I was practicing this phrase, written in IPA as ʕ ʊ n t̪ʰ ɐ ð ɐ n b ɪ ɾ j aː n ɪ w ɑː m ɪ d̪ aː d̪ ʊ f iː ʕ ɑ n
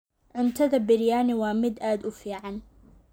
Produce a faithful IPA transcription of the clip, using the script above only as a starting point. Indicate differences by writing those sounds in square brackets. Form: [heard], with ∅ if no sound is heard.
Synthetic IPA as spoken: ʕ ʊ n t̪ʰ ɐ ð ɐ [∅] b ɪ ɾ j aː n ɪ w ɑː m ɪ d̪ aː d̪ ʊ f iː ʕ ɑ n